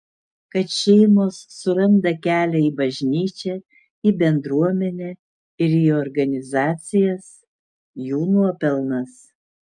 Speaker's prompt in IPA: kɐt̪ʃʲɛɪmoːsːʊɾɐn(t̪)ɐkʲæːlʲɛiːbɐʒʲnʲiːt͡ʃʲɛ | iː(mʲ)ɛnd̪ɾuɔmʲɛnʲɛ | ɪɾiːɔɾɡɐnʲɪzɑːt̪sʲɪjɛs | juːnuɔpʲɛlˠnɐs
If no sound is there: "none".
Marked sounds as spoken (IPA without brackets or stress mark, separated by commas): d̪, bʲ